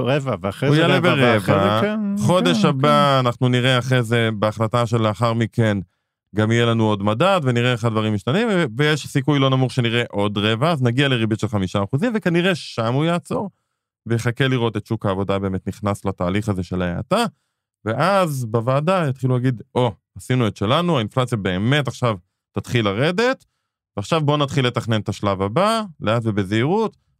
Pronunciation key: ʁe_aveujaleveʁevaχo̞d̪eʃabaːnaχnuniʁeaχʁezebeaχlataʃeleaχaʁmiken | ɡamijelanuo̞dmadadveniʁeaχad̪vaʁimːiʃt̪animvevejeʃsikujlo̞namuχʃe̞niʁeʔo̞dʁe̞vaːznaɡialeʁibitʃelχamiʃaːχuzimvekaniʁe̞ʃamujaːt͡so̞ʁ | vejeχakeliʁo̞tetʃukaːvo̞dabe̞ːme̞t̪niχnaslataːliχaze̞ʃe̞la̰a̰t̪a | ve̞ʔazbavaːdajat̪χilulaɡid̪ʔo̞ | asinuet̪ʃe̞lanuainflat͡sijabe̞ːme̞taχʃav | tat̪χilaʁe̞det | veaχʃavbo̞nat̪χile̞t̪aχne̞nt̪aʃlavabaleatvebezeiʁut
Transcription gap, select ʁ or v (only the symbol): v